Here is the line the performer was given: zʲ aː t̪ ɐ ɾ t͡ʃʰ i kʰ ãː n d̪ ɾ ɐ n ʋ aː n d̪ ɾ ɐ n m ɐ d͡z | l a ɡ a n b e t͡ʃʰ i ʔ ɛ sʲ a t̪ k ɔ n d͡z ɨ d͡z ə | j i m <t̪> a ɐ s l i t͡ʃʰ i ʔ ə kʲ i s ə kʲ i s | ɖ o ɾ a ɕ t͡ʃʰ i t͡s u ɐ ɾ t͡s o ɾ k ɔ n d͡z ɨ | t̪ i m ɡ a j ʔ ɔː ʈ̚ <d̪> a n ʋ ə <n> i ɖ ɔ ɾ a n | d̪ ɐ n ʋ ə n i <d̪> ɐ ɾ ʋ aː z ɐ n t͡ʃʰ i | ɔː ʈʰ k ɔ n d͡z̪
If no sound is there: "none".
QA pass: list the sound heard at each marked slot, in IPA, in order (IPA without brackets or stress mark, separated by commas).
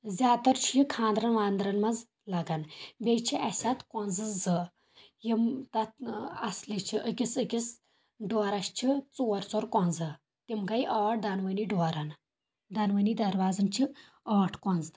t̪, d̪, n, d̪